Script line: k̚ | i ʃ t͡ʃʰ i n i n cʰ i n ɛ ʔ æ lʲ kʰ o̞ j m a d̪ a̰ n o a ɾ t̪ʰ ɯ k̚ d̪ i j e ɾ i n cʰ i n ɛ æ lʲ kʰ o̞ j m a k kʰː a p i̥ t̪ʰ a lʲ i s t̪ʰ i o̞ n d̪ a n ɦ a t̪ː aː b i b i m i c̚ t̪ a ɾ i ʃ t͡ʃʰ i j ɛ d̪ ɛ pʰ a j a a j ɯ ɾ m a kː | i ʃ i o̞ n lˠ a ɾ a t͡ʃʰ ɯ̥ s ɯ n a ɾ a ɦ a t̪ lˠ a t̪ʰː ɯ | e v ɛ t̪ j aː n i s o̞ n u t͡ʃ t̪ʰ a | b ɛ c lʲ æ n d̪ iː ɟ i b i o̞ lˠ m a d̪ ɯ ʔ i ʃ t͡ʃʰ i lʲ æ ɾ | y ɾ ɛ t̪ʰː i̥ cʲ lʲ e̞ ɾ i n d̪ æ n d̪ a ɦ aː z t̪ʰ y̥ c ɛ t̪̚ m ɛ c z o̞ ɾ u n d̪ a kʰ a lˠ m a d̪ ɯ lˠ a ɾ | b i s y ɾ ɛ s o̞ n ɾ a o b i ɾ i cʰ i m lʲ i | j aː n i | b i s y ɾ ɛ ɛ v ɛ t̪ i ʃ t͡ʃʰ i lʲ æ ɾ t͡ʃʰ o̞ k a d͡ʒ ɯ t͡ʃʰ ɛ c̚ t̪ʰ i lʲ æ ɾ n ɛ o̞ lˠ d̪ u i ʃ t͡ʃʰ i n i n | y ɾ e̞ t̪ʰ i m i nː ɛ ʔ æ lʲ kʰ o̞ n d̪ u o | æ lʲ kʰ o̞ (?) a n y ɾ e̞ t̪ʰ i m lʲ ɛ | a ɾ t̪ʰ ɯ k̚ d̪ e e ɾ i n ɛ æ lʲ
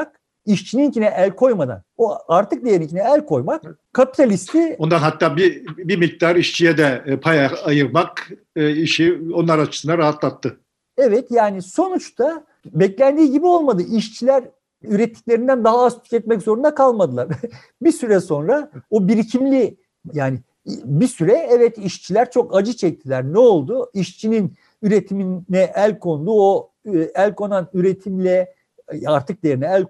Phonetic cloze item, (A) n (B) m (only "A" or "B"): A